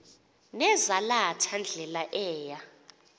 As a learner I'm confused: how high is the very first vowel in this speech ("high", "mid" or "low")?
mid